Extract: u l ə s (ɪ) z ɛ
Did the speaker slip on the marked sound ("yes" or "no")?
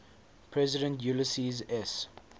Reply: yes